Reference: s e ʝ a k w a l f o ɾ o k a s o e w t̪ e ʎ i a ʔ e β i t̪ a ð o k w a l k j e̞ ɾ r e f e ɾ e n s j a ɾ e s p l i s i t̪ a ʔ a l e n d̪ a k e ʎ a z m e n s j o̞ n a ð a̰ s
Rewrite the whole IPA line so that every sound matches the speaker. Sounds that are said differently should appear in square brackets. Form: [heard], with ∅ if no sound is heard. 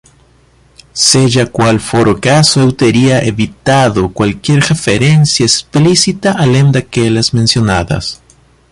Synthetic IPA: s e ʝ a k w a l f o ɾ o k a s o e w t̪ e [ɾ] i a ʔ e β i t̪ a ð o k w a l k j e̞ ɾ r e f e ɾ e n s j a [∅] e s p l i s i t̪ a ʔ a l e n d̪ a k e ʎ a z m e n s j o̞ n a ð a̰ s